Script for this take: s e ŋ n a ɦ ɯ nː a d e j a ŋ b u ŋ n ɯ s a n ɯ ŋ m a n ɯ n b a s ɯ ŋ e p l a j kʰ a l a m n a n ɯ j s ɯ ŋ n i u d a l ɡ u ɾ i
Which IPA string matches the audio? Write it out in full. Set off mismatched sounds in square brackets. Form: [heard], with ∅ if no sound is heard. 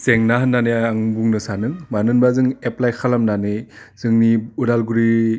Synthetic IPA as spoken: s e ŋ n a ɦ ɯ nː a [n] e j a ŋ b u ŋ n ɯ s a n ɯ ŋ m a n ɯ n b a [z] ɯ ŋ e p l a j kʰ a l a m n a n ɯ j [z] ɯ ŋ n i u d a l ɡ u ɾ i